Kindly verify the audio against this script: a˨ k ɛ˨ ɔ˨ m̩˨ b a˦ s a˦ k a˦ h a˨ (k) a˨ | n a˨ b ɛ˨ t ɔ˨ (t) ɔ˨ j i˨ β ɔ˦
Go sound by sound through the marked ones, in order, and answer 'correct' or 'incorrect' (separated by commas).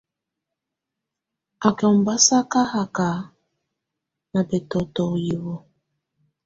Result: correct, correct